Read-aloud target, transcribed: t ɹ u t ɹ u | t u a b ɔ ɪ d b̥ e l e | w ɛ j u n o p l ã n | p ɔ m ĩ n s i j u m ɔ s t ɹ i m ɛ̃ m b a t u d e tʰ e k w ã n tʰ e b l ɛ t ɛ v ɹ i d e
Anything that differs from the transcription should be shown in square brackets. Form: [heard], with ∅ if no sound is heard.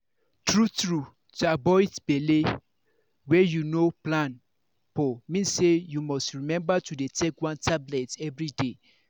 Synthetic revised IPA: t ɹ u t ɹ u | t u a b ɔ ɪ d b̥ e l e | w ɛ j u n o p l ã n | p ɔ m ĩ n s [e] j u m ɔ s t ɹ i m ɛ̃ m b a t u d e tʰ e k w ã n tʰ [a] b l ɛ t ɛ v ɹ i d e